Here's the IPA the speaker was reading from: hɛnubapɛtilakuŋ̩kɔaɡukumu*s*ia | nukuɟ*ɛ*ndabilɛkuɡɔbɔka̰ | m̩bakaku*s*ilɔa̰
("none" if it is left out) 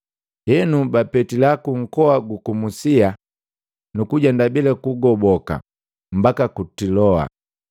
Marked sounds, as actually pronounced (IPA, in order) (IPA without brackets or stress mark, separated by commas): s, a, t